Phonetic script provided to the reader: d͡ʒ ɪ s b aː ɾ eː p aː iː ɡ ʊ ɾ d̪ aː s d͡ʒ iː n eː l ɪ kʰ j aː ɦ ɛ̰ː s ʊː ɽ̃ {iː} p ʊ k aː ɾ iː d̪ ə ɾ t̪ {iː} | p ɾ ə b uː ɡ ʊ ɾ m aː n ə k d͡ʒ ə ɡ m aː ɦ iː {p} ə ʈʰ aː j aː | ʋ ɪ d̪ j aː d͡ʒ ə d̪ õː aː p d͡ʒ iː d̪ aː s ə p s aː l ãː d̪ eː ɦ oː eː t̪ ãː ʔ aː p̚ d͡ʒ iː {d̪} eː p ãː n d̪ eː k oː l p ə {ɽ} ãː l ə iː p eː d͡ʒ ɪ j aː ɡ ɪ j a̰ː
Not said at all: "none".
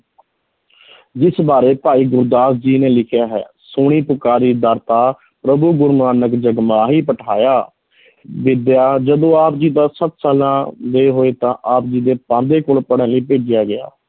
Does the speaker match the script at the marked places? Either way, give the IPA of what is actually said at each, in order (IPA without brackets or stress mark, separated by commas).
iː, aː, p, d̪, ɽ